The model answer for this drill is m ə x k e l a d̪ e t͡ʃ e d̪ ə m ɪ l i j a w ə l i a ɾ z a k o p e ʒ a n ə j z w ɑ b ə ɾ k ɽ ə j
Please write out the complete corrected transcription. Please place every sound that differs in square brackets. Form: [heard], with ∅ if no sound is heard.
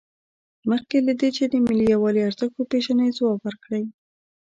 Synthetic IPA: m ə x k e l a d̪ e t͡ʃ e d̪ ə m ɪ l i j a w [ɑ] l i a ɾ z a k o p e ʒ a n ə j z w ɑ b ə ɾ k ɽ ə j